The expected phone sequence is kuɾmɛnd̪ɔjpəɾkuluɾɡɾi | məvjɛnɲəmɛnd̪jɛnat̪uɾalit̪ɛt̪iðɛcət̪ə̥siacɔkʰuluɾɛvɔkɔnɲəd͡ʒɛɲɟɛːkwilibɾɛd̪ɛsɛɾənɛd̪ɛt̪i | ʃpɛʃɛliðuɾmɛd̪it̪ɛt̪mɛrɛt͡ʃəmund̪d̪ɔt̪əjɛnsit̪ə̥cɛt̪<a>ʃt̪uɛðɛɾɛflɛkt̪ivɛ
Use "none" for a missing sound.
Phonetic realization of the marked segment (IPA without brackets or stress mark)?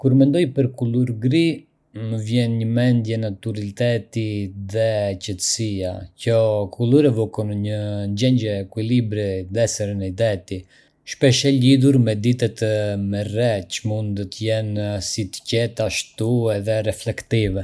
a